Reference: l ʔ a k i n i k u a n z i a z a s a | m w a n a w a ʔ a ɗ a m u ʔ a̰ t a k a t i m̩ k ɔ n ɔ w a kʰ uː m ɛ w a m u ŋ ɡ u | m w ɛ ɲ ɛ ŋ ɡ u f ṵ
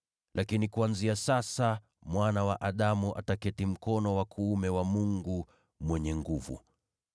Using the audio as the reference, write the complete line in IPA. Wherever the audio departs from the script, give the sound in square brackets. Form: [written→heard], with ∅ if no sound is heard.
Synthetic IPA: l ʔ a k i n i k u a n z i a [z→s] a s a | m w a n a w a ʔ a ɗ a m u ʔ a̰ t a k [a→ɛ] t i m̩ k ɔ n ɔ w a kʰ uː m ɛ w a m u ŋ ɡ u | m w ɛ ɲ ɛ ŋ ɡ u [f→v] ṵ